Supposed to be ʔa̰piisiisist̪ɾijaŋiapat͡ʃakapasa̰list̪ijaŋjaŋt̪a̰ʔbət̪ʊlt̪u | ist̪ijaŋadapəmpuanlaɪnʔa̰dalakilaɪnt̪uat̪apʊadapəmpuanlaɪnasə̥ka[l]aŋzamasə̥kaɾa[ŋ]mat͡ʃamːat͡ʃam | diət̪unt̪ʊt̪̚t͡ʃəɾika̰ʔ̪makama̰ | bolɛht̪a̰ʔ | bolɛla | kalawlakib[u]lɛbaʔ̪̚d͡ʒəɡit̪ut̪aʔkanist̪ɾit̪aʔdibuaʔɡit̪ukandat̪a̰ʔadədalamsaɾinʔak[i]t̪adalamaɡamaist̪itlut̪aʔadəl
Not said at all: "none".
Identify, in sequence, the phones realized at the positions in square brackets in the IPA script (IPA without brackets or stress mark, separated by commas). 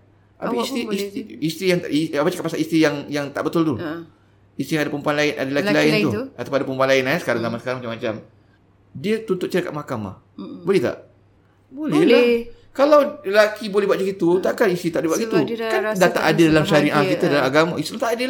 ɾ, ŋ, o, i